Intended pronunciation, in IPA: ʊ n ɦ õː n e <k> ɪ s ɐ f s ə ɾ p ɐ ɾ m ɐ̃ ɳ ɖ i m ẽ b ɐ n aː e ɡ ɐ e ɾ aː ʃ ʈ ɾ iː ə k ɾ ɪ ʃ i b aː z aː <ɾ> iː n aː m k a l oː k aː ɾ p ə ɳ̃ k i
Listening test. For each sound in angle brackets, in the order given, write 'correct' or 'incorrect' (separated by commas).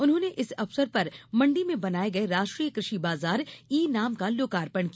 incorrect, correct